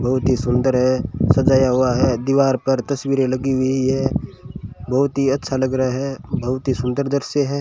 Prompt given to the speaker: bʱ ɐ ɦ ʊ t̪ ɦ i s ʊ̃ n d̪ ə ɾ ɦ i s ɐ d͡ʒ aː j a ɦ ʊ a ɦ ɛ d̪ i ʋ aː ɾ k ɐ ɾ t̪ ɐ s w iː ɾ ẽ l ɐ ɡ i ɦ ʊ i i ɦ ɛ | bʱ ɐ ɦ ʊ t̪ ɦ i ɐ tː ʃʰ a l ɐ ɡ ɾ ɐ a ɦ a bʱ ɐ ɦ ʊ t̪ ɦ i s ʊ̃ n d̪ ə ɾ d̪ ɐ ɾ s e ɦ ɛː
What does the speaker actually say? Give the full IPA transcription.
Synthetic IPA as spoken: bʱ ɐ ɦ ʊ t̪ ɦ i s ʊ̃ n d̪ ə ɾ ɦ ɛ s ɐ d͡ʒ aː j a ɦ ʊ a ɦ ɛ d̪ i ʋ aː ɾ p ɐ ɾ t̪ ɐ s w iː ɾ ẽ l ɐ ɡ i ɦ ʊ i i ɦ ɛ | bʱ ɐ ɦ ʊ t̪ ɦ i ɐ tː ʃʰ a l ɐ ɡ ɾ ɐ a ɦ ɛ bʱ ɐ ɦ ʊ t̪ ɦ i s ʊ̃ n d̪ ə ɾ d̪ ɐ ɾ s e ɦ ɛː

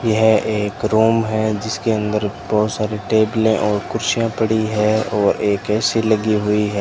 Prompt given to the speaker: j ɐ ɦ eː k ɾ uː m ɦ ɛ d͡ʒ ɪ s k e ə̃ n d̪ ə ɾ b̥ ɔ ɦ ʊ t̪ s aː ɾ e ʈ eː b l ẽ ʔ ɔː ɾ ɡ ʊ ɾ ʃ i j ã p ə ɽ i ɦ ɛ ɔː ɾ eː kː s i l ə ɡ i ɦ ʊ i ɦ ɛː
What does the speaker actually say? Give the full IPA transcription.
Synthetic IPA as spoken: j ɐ ɦ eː k ɾ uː m ɦ ɛ d͡ʒ ɪ s k e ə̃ n d̪ ə ɾ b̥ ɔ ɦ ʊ t̪ s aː ɾ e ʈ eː b l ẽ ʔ ɔː ɾ k ʊ ɾ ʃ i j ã p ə ɽ i ɦ ɛ ɔː ɾ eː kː s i l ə ɡ i ɦ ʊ i ɦ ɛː

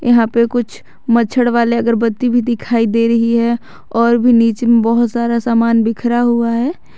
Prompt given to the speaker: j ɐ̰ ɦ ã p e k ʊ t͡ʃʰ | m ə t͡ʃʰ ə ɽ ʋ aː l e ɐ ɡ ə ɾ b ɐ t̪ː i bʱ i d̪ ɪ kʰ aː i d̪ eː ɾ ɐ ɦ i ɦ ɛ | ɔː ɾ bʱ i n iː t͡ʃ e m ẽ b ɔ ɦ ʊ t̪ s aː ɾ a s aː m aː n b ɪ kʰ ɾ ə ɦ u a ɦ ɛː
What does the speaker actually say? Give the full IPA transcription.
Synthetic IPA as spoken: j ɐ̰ ɦ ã p e k ʊ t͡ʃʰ | m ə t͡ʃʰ ə ɽ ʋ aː l e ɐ ɡ ə ɾ b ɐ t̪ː i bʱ i d̪ ɪ kʰ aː i d̪ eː ɾ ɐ ɦ i ɦ ɛ | ɔː ɾ bʱ i n iː t͡ʃ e m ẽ b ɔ ɦ ʊ t̪ s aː ɾ a s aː m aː n b ɪ kʰ ɾ a ɦ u a ɦ ɛː

